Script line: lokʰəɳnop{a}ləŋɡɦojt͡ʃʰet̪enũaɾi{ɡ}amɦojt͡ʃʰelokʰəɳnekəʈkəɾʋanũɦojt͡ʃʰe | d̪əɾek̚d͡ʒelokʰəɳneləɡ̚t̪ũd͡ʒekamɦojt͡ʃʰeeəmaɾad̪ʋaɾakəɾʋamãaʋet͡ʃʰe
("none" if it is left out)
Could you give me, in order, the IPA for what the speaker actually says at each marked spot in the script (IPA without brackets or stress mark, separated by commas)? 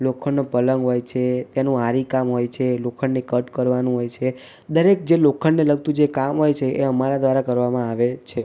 ə, k